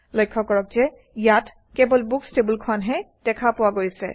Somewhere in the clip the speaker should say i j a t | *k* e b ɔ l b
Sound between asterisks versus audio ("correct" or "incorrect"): correct